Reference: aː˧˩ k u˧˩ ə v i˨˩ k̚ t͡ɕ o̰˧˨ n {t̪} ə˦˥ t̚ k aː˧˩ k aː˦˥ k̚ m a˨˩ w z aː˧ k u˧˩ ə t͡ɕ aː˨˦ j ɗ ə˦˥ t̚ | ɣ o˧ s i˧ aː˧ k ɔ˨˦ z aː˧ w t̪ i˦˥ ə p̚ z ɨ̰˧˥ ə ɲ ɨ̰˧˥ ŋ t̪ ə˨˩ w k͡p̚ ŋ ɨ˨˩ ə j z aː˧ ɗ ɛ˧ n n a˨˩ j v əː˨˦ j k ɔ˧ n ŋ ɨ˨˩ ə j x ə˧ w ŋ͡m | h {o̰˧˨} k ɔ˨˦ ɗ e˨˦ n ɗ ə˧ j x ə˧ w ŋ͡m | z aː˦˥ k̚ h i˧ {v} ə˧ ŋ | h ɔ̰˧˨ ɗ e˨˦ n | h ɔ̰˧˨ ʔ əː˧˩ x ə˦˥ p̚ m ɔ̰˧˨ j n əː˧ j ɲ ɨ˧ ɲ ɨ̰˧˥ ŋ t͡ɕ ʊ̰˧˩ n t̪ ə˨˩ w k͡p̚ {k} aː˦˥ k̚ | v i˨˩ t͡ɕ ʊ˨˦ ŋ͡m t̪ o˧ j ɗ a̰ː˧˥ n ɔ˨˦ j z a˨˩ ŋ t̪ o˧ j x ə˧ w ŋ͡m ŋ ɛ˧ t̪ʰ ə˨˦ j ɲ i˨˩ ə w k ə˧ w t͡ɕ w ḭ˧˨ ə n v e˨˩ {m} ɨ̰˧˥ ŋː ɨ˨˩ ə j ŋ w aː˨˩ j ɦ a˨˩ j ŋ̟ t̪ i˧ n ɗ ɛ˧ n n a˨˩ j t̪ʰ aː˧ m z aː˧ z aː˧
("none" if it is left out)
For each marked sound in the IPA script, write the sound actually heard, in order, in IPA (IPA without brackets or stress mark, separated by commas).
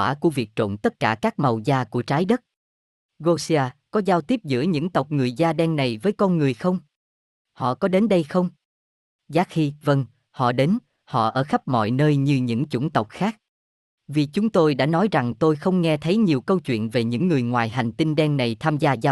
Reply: t̪, ɔ̰˧˨, v, x, ɲ